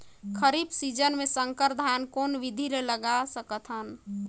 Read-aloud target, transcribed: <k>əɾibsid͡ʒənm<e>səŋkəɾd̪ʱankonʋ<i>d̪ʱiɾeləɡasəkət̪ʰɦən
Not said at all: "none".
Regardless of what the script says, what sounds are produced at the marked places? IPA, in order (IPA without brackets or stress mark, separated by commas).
kʰ, e, i